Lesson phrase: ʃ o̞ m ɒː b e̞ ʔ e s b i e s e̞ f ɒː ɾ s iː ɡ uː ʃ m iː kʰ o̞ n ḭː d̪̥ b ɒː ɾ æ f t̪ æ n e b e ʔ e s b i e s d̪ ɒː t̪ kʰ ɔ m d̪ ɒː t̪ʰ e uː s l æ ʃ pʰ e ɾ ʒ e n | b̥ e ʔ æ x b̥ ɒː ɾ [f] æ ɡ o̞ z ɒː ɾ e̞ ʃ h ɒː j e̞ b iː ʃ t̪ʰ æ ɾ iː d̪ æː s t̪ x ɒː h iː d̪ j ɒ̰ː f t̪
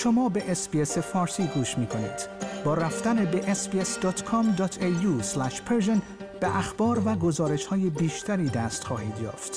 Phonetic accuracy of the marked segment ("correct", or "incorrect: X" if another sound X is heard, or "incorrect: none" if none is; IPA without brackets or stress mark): incorrect: v